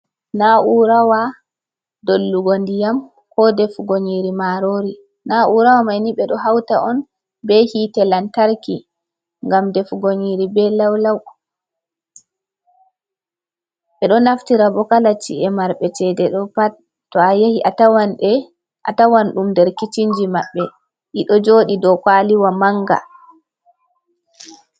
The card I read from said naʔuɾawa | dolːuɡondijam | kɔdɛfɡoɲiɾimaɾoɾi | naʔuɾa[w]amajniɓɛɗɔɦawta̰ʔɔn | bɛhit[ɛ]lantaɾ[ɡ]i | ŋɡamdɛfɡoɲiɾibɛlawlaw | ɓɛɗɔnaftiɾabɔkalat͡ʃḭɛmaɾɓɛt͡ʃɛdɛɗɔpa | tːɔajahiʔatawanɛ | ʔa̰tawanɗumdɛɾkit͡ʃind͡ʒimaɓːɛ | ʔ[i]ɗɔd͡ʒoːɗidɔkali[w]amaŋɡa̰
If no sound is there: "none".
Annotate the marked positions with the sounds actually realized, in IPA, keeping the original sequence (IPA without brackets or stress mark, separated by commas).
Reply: w, ɛ, k, i, w